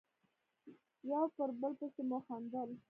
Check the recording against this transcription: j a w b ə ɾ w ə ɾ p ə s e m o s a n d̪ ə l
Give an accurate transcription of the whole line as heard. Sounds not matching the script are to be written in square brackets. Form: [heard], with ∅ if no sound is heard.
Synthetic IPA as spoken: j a w [p] ə ɾ [b] ə [l] p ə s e m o [x] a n d̪ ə l